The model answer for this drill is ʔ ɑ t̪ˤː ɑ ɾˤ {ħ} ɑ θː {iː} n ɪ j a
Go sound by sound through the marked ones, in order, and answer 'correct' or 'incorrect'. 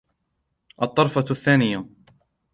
incorrect: f, incorrect: aː

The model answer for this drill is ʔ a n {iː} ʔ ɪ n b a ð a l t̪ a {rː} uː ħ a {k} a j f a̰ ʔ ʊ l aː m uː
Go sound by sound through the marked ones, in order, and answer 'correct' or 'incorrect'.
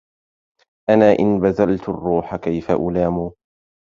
incorrect: aː, correct, correct

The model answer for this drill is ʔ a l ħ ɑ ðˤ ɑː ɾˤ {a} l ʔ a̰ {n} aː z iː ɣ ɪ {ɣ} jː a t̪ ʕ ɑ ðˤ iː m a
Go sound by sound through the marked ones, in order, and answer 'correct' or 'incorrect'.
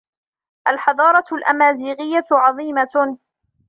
incorrect: ɑ, incorrect: m, incorrect: none

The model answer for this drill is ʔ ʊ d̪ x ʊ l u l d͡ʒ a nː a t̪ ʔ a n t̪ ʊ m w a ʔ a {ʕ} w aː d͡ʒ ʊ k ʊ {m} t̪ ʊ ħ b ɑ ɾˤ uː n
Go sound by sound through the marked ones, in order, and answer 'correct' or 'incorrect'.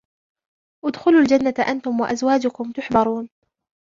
incorrect: z, correct

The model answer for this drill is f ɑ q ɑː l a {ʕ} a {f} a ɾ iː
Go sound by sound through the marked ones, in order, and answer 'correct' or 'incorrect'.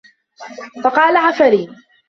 correct, correct

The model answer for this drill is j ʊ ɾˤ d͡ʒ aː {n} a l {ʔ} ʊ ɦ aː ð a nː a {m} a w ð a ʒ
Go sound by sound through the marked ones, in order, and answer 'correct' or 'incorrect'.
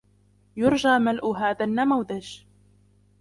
incorrect: m, correct, correct

